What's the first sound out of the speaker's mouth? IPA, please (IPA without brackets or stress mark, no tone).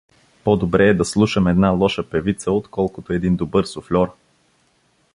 p